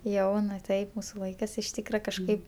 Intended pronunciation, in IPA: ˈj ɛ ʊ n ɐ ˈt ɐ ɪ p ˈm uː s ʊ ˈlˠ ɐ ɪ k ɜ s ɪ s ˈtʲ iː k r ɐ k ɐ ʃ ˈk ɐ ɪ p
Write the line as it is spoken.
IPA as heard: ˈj ɛ ʊ n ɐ ˈt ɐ ɪ p ˈm uː s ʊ ˈlˠ ɐ ɪ k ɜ s ɪ ʃ ˈtʲ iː k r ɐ k ɐ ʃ ˈk ɐ ɪ p

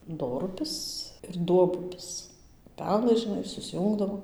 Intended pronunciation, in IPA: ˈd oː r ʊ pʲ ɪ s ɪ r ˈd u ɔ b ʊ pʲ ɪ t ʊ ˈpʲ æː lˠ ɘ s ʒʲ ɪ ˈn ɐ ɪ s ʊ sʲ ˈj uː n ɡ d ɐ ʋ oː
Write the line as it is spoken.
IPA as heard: ˈd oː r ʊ pʲ ɪ s ɪ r ˈd u ɔ b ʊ pʲ ɪ s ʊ ˈpʲ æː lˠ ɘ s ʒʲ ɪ ˈn ɐ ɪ s ʊ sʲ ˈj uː ŋ ɡ d ɐ ʋ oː

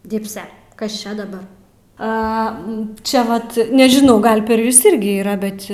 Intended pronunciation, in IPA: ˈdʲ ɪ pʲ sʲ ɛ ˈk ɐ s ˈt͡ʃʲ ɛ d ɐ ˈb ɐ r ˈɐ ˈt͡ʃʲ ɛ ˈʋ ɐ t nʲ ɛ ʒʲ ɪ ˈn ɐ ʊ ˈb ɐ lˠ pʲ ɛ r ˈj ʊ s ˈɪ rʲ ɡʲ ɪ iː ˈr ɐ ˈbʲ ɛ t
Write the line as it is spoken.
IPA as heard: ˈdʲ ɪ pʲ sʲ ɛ ˈk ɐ s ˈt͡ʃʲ ɛ d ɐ ˈb ɐ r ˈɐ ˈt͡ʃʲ ɛ ˈʋ ɐ t nʲ ɛ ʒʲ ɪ ˈn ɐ ʊ ˈɡ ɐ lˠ pʲ ɛ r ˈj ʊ s ˈɪ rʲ ɡʲ ɪ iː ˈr ɐ ˈbʲ ɛ t

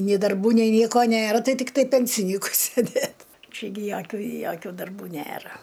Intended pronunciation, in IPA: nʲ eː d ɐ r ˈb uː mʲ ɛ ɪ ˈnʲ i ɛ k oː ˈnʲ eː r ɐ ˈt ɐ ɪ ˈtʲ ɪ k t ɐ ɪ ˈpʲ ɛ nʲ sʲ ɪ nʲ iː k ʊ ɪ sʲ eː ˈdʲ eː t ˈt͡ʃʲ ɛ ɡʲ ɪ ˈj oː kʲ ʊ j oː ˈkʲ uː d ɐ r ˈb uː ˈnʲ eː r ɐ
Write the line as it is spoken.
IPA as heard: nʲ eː d ɐ r ˈb uː nʲ ɛ ɪ ˈnʲ i ɛ k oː ˈnʲ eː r ɐ ˈt ɐ ɪ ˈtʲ ɪ k t ɐ ɪ ˈpʲ ɛ nʲ sʲ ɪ nʲ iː k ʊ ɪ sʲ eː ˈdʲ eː t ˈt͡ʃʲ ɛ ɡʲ ɪ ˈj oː kʲ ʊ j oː ˈkʲ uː d ɐ r ˈb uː ˈnʲ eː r ɐ

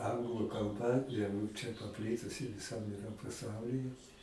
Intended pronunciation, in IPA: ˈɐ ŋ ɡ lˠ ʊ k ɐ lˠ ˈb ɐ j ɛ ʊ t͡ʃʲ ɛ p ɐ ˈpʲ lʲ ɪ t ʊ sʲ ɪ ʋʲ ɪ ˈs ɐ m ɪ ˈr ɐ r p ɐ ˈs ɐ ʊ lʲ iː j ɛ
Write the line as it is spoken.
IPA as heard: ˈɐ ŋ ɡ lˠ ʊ k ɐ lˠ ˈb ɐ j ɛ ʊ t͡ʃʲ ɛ p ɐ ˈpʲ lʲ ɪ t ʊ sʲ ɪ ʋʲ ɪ ˈs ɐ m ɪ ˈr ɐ p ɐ ˈs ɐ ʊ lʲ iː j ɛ

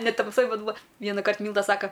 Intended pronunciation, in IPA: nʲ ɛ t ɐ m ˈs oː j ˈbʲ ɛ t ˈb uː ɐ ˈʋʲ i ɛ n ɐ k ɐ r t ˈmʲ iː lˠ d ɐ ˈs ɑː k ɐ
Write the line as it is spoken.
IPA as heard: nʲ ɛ t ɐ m ˈs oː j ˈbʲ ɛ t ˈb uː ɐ ˈʋʲ i ɛ n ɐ k ɐ r t ˈmʲ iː lˠ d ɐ ˈs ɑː k ɐ

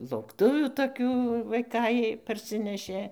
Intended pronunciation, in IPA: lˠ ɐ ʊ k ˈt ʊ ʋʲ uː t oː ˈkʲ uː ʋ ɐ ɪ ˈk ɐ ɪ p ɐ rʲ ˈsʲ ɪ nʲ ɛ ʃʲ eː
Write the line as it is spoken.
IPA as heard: lˠ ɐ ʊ k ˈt ʊ ʋʲ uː t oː ˈkʲ uː ʋ ɐ ɪ ˈk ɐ ɪ p ɐ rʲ ˈsʲ ɪ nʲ ɛ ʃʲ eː

